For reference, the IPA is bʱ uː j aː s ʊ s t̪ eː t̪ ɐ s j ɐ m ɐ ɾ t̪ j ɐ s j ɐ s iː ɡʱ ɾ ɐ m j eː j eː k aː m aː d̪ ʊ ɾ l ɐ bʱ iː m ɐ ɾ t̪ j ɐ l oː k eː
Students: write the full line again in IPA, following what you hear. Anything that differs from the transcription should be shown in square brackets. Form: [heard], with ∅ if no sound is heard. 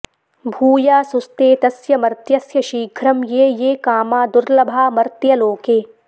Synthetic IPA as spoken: bʱ uː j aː s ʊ s t̪ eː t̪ ɐ s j ɐ m ɐ ɾ t̪ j ɐ s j ɐ [ʃ] iː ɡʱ ɾ ɐ m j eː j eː k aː m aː d̪ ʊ ɾ l ɐ bʱ [aː] m ɐ ɾ t̪ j ɐ l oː k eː